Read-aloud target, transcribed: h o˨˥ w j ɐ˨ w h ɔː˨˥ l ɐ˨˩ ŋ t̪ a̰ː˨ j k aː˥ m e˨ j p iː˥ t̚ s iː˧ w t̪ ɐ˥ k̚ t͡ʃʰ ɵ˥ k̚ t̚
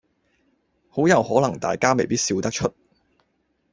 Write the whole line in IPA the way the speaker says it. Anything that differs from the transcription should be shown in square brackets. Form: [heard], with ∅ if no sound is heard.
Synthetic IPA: h o˨˥ w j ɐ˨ w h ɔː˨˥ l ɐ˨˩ ŋ t̪ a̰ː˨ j k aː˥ m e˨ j p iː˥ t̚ s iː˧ w t̪ ɐ˥ k̚ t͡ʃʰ ɵ˥ [∅] t̚